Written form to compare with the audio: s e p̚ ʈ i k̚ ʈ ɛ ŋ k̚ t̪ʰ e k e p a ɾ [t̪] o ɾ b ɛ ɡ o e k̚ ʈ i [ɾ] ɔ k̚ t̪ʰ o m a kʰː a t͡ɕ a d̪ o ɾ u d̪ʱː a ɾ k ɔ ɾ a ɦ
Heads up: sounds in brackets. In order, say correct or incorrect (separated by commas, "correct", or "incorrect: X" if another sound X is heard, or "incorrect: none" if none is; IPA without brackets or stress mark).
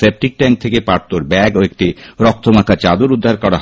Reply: correct, correct